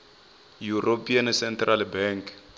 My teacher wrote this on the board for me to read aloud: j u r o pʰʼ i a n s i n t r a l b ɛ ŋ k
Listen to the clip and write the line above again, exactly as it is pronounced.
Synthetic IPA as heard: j u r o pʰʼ i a n s ɛ n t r a l b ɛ ŋ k